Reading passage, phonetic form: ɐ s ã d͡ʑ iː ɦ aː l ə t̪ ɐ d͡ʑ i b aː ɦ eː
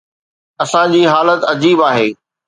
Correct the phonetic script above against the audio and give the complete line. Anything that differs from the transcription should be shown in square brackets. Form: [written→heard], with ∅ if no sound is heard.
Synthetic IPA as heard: ɐ s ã d͡ʑ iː ɦ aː l ə t̪ ɐ d͡ʑ [i→iː] b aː ɦ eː